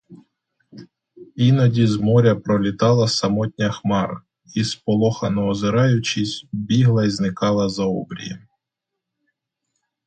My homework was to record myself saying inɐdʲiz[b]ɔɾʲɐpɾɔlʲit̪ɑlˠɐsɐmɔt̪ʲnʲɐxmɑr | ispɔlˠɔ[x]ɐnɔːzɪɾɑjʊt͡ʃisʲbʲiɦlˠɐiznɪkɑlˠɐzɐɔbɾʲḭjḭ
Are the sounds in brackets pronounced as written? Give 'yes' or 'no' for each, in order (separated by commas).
no, yes